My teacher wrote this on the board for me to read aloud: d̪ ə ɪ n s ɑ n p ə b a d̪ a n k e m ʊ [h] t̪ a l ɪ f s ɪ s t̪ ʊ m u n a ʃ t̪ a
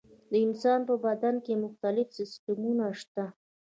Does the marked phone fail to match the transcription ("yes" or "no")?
yes